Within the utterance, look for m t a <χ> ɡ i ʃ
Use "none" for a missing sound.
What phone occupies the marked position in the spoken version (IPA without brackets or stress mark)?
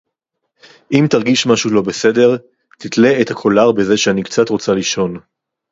ʁ